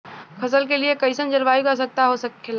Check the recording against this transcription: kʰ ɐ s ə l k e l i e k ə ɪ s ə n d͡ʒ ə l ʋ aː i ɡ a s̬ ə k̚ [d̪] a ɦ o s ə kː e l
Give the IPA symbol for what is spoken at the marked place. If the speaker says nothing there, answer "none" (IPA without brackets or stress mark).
t̪